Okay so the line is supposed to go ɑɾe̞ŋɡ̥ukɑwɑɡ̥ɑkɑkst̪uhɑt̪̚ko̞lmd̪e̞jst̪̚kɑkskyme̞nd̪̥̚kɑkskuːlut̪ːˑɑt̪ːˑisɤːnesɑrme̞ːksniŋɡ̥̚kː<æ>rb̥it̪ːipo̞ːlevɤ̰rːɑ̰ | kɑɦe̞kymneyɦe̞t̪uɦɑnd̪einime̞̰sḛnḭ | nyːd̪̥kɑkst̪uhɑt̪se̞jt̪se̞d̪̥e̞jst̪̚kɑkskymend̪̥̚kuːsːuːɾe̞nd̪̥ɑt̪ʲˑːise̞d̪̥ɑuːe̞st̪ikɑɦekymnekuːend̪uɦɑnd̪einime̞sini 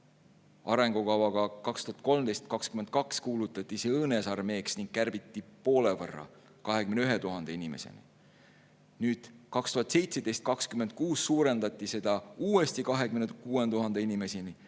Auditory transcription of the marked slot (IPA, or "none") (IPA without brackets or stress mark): æ